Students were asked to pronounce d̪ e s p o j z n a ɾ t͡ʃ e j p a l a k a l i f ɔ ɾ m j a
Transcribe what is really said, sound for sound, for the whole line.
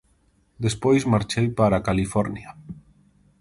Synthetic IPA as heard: d̪ e s p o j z m a ɾ t͡ʃ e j p a ɾ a k a l i f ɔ ɾ n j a